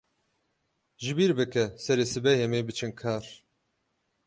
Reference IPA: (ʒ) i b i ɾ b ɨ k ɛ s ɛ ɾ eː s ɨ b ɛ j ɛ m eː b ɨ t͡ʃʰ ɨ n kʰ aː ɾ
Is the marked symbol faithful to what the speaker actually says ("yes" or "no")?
yes